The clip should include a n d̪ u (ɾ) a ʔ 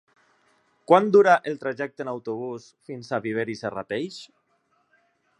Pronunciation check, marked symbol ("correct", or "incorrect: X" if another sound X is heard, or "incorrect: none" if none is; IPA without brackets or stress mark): correct